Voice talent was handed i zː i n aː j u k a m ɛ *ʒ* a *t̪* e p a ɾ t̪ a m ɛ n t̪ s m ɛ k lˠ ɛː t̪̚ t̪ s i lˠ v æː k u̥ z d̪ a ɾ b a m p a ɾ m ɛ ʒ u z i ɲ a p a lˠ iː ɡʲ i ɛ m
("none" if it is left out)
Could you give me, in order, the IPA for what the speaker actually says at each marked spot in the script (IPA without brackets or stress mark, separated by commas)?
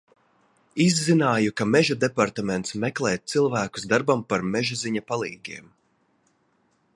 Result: ʒ, d̪